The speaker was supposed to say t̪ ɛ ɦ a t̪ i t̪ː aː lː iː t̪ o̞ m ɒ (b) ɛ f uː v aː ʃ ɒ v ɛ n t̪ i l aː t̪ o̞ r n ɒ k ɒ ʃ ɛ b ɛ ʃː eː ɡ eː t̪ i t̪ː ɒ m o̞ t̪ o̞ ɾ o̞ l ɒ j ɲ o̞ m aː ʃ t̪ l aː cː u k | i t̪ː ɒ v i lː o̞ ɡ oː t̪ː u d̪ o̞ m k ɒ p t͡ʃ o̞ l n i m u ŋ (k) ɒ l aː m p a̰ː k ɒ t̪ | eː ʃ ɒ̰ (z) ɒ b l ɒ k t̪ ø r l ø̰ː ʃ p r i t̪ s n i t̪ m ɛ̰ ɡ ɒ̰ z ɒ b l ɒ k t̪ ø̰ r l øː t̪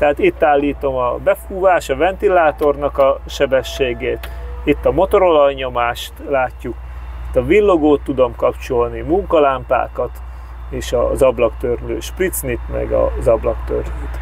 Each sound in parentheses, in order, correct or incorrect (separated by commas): correct, correct, correct